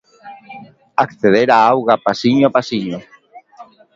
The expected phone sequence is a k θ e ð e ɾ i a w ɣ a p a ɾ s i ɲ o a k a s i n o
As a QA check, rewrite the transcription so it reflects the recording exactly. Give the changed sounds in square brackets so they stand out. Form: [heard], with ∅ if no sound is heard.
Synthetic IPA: a k θ e ð e ɾ [a] a w ɣ a p a [∅] s i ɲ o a [p] a s i [ɲ] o